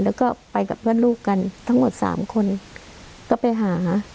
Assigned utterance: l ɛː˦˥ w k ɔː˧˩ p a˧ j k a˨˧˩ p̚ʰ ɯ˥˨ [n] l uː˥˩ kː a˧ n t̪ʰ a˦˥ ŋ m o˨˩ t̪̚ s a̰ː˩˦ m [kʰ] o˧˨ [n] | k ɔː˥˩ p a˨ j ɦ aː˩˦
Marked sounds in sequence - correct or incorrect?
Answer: correct, correct, correct

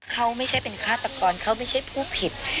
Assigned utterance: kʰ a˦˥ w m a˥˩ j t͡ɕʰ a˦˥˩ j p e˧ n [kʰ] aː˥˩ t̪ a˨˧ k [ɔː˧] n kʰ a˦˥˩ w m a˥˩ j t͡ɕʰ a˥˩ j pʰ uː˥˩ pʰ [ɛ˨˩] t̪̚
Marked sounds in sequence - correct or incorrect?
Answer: correct, correct, incorrect: i˨˩

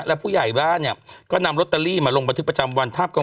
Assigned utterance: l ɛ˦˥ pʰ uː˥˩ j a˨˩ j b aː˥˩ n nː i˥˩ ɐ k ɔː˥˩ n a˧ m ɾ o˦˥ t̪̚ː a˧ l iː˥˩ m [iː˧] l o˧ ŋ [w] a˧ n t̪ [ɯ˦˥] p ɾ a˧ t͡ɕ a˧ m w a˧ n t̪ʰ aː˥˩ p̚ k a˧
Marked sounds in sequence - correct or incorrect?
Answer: incorrect: aː˧, incorrect: b, correct

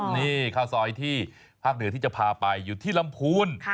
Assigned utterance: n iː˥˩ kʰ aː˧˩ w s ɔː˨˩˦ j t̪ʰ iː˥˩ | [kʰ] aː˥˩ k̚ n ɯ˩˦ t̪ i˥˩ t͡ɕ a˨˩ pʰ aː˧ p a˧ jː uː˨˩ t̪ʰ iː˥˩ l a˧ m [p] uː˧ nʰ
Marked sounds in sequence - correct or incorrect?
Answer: incorrect: pʰ, incorrect: pʰ

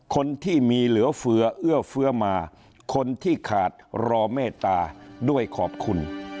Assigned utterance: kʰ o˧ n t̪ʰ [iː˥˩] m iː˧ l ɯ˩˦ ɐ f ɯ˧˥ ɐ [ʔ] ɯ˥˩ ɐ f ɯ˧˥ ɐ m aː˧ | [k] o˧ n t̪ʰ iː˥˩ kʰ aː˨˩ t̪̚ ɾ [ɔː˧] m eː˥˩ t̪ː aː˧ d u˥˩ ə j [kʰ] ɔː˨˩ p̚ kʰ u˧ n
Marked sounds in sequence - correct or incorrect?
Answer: correct, correct, incorrect: kʰ, correct, correct

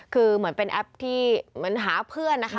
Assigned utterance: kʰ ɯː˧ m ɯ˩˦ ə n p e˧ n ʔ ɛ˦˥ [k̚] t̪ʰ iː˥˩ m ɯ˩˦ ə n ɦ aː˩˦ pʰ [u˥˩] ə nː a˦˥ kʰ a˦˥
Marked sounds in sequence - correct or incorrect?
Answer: incorrect: p̚, incorrect: ɯ˥˩

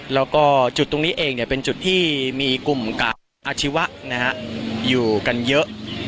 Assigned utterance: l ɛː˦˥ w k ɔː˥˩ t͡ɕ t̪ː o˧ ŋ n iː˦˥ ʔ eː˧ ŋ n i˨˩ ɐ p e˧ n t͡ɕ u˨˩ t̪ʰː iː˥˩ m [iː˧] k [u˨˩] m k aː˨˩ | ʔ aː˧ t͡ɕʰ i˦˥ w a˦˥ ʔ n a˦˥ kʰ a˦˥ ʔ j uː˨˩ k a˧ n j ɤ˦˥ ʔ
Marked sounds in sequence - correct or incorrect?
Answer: correct, correct

